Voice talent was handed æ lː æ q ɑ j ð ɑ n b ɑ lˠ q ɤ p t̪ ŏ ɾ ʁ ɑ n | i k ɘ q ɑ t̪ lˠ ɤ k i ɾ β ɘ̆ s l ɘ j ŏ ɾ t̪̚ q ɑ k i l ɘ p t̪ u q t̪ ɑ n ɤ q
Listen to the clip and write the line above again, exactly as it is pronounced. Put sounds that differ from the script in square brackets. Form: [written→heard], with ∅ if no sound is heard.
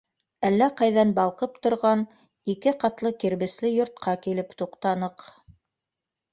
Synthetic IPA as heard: æ lː æ q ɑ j ð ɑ n b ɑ lˠ q ɤ p t̪ ŏ ɾ ʁ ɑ n | i k ɘ q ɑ t̪ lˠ ɤ k i ɾ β ɘ̆ s l ɘ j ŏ ɾ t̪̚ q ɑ k i l ɘ p t̪ u q t̪ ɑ n ɤ q